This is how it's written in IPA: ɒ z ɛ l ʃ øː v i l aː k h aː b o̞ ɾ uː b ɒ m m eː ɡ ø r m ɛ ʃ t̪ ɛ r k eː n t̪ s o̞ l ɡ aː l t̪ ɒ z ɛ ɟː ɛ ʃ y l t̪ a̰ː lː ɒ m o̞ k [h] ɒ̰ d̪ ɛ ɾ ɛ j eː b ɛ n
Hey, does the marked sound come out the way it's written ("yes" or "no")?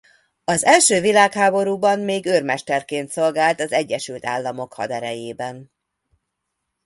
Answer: yes